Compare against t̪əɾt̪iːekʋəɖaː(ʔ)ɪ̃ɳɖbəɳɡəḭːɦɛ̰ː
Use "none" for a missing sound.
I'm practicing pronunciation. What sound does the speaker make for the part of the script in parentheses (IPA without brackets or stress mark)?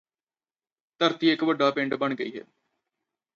p